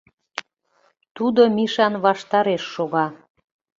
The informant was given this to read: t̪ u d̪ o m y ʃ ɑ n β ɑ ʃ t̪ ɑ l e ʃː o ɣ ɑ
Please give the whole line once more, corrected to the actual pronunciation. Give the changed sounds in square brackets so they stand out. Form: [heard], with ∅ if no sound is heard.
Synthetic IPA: t̪ u d̪ o m [i] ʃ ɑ n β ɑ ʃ t̪ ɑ [ɾ] e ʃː o ɣ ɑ